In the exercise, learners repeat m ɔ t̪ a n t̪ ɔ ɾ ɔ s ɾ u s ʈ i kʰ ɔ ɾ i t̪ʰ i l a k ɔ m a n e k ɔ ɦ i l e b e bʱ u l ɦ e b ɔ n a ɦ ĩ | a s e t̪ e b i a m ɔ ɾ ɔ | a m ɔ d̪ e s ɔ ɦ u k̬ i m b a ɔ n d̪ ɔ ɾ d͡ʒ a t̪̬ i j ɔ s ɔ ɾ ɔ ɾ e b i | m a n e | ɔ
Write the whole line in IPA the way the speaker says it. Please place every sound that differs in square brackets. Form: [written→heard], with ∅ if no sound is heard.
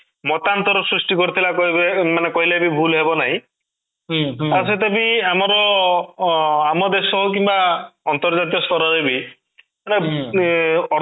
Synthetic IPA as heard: m ɔ t̪ a n t̪ ɔ ɾ ɔ s ɾ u s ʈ i [kʰ→k] ɔ ɾ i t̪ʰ i l a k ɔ m a n e k ɔ ɦ i l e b [e→i] bʱ u l ɦ e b ɔ n a ɦ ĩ | a s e t̪ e b i a m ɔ ɾ ɔ | a m ɔ d̪ e s ɔ ɦ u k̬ i m b a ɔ n [d̪→t̪] ɔ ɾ d͡ʒ a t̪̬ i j ɔ s ɔ ɾ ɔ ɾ e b i | m a n e | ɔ